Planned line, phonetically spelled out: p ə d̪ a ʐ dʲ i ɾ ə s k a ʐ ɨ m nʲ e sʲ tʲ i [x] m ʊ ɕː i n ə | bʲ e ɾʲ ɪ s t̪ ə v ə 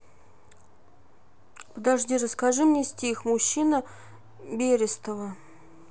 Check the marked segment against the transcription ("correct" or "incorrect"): correct